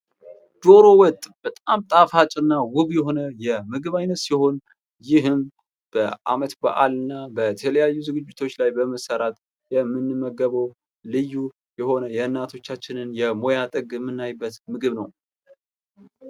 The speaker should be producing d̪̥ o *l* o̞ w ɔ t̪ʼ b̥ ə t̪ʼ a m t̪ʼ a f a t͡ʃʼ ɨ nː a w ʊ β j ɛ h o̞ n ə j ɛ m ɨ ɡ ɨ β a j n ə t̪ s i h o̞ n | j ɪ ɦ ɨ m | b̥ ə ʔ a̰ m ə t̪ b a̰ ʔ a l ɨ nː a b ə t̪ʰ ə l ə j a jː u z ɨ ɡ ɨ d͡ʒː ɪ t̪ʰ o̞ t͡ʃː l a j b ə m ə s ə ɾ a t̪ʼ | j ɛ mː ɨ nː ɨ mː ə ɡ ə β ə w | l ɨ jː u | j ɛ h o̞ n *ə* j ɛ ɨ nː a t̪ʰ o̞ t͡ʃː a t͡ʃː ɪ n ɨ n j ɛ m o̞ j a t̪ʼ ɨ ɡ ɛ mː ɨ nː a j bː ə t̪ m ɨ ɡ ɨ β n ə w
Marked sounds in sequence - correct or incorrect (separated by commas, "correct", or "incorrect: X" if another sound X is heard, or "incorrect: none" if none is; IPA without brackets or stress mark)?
incorrect: ɾ, correct